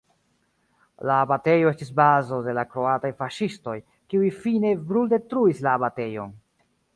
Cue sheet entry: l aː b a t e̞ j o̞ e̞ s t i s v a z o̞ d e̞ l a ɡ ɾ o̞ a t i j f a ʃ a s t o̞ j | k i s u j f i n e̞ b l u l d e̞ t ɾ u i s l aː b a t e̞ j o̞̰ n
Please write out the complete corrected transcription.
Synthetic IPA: l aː b a t e̞ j o̞ e̞ s t i s b a z o̞ d e̞ l a k ɾ o̞ a t a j f a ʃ i s t o̞ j | k i u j f i n e̞ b ɾ u l d e̞ t ɾ u i s l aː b a t e̞ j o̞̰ n